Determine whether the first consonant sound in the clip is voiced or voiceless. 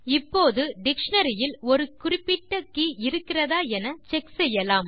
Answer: voiceless